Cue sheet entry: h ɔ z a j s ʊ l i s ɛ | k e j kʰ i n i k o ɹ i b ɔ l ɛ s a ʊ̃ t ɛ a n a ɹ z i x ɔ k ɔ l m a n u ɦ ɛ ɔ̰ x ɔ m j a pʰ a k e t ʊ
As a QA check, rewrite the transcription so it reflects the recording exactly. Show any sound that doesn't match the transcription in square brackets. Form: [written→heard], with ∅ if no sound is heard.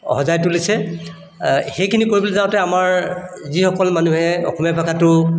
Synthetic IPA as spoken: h ɔ z a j [s→t] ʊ l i s ɛ | [k→x] e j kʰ i n i k o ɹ i b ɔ l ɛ [s→z] a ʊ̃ t ɛ a [n→m] a ɹ z i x ɔ k ɔ l m a n u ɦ ɛ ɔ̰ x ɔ m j a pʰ a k [e→a] t ʊ